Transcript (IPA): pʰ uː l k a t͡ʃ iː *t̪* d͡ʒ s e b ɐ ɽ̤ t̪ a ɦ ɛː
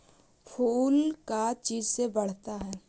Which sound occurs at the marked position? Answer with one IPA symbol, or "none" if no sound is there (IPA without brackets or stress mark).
none